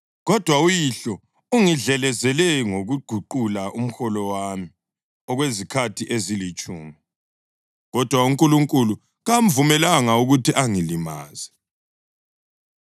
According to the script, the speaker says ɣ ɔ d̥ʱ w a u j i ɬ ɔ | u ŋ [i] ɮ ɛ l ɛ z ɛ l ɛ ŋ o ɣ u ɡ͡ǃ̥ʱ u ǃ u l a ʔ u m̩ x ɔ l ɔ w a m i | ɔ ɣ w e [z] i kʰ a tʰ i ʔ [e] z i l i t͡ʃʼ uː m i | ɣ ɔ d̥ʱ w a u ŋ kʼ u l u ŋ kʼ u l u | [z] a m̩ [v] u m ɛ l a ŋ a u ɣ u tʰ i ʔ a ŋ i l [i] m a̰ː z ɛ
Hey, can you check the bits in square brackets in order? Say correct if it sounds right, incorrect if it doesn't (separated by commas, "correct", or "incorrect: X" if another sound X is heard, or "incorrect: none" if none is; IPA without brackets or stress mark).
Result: correct, correct, correct, incorrect: ɣ, correct, correct